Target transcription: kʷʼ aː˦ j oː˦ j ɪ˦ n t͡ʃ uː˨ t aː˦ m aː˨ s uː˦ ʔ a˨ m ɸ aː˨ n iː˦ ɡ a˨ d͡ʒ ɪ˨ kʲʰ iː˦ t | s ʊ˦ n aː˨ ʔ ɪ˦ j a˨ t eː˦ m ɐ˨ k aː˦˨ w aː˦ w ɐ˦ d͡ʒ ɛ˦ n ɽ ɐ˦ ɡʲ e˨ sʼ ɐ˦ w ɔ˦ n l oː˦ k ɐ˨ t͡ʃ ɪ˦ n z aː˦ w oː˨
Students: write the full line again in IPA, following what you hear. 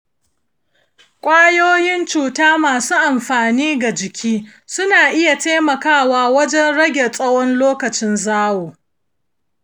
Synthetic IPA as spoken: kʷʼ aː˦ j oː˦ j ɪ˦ n t͡ʃ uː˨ t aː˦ m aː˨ s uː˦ ʔ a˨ m ɸ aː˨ n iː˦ ɡ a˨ d͡ʒ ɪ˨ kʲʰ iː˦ | s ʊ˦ n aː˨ ʔ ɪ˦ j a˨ t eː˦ m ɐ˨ k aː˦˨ w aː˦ w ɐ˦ d͡ʒ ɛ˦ n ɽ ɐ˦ ɡʲ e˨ sʼ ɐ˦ w ɔ˦ n l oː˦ k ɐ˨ t͡ʃ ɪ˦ n z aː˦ w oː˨